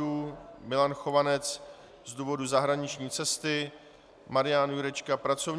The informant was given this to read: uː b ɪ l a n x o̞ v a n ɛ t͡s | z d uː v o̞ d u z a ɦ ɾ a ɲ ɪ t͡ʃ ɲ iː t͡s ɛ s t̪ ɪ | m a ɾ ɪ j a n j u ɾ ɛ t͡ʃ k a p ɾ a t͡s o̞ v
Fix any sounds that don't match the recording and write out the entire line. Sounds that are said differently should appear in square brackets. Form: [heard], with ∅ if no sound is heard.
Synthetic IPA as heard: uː [m] ɪ l a n x o̞ v a n ɛ t͡s | z d uː v o̞ d u z a ɦ ɾ a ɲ ɪ t͡ʃ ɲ iː t͡s ɛ s t̪ ɪ | m a ɾ ɪ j a n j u ɾ ɛ t͡ʃ k a p ɾ a t͡s o̞ v